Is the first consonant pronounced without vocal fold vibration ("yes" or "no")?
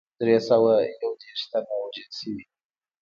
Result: no